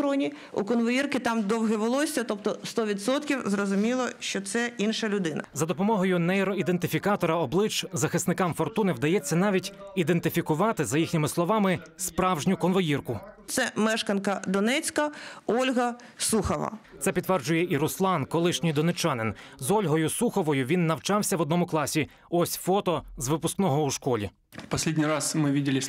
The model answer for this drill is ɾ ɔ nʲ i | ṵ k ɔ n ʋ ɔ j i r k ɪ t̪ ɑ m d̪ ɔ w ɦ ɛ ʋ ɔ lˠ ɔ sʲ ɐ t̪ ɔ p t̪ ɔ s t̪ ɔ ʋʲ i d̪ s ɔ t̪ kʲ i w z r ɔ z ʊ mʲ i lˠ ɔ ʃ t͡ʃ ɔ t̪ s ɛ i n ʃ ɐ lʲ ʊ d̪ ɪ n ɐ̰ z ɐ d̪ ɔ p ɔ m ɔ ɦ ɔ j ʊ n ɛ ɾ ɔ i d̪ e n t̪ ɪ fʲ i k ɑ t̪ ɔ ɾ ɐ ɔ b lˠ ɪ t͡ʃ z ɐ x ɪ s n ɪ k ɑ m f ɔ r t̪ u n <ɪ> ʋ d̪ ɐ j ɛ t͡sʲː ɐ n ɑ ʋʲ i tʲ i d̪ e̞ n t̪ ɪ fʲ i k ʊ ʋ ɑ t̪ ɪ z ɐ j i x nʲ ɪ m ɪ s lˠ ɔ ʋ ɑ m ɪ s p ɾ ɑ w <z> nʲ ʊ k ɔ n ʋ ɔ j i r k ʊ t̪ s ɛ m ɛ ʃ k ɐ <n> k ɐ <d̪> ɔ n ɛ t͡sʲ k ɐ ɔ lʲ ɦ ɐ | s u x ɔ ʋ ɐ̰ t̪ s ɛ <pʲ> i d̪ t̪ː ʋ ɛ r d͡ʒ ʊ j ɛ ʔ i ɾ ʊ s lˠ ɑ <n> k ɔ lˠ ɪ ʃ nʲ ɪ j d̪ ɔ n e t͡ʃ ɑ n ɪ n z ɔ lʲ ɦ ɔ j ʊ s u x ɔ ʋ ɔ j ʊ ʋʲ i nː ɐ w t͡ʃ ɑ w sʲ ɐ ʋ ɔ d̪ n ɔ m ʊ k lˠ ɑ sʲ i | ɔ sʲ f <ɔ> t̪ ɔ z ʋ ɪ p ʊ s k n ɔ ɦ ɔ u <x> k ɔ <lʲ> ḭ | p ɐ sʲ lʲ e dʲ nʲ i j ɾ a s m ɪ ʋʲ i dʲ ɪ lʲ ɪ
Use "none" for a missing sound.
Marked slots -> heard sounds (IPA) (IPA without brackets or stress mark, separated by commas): ɪ, ʒ, n, d̪, pʲ, n, ɔ, ʃ, lʲ